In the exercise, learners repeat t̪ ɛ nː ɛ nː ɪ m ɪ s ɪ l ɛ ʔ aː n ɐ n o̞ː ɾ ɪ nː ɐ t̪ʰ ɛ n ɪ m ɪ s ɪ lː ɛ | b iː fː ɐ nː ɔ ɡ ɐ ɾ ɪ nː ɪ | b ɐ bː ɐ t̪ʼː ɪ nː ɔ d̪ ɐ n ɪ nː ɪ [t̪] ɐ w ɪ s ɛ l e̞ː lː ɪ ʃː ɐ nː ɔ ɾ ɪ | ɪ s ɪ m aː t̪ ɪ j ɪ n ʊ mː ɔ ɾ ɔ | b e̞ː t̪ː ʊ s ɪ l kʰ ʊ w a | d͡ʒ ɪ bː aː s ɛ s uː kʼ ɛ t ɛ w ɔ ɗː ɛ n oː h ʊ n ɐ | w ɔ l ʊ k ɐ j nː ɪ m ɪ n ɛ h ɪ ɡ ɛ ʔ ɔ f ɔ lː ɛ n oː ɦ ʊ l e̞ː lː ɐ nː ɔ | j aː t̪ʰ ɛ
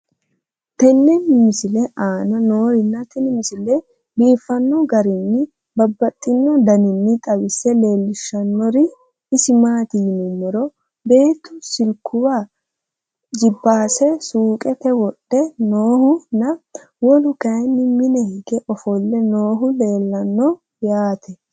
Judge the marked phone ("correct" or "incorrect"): incorrect